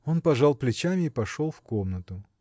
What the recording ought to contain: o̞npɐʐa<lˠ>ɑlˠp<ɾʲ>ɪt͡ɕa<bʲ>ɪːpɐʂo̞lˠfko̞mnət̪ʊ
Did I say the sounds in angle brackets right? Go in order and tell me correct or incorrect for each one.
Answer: incorrect: none, incorrect: lʲ, incorrect: mʲ

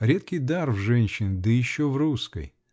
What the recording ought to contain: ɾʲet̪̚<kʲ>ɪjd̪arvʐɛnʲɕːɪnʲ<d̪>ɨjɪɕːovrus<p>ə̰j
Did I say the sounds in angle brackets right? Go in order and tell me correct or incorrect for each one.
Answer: correct, correct, incorrect: k

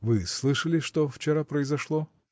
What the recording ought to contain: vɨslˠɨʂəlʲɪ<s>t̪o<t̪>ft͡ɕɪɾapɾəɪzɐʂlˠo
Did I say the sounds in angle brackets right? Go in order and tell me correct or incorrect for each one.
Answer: incorrect: ʂ, incorrect: none

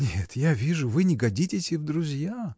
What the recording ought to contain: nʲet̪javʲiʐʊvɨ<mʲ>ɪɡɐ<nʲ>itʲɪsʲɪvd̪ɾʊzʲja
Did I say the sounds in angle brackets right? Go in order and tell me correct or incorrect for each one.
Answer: incorrect: nʲ, incorrect: dʲ

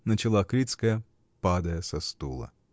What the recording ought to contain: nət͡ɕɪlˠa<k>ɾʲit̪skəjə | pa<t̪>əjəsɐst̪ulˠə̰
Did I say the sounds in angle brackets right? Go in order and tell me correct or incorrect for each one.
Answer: correct, incorrect: d̪

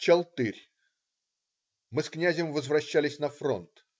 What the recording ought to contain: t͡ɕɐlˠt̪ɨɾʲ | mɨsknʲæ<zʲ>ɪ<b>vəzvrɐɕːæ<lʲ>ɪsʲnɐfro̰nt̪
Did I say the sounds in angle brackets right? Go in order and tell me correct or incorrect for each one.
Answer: correct, incorrect: m, correct

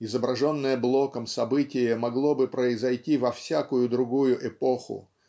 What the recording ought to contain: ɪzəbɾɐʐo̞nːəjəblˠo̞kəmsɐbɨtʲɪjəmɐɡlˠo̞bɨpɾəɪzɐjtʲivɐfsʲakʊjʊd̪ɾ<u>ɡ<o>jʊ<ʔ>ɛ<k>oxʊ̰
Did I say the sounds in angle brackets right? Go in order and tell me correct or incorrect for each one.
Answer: incorrect: ʊ, incorrect: u, correct, incorrect: p

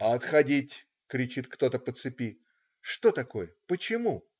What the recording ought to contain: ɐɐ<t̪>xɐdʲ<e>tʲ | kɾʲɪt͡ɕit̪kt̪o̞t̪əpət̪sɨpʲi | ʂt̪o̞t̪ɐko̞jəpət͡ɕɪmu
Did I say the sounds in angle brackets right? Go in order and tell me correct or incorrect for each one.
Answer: correct, incorrect: i

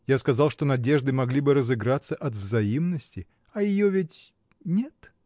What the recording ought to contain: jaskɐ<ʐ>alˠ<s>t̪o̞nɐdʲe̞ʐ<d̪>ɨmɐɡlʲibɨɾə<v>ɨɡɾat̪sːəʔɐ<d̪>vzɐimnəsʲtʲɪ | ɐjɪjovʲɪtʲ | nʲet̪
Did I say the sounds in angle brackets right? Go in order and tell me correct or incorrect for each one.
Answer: incorrect: z, incorrect: ʂ, correct, incorrect: z, incorrect: t̪

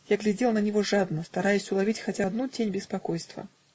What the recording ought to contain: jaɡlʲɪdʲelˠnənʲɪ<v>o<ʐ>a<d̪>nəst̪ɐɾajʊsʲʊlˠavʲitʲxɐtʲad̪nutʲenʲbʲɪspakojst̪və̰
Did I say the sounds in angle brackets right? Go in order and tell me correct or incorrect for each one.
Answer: correct, correct, correct

